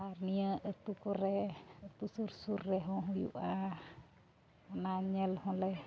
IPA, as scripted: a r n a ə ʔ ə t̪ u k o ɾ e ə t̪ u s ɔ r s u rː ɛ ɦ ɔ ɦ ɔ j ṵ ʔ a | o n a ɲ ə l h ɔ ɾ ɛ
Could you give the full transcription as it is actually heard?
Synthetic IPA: a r n i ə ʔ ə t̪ u k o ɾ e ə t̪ u s u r s u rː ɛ ɦ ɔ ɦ u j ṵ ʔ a | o n a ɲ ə l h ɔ l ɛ